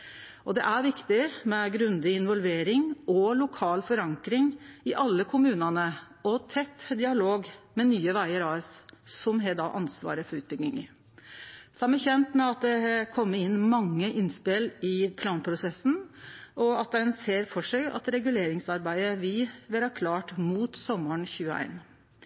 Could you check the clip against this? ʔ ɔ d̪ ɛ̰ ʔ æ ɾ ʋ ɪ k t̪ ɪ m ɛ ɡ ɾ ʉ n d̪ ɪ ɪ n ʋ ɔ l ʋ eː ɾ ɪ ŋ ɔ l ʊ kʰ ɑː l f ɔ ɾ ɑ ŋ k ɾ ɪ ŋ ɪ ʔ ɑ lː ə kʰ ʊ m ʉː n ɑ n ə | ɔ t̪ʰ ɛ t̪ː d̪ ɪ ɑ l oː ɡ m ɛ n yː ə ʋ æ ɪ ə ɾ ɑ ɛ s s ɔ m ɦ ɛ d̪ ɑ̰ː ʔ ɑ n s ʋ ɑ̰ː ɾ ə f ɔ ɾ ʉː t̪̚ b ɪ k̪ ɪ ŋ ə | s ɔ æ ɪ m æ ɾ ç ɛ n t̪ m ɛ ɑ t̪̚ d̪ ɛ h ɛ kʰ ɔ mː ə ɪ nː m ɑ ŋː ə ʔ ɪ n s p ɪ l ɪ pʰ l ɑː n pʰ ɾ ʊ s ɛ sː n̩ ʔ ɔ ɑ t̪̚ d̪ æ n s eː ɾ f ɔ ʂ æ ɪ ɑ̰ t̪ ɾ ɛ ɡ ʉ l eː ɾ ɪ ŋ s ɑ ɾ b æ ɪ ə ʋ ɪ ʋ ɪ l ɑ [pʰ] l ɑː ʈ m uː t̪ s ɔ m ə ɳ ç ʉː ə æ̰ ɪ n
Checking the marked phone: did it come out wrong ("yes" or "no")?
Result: yes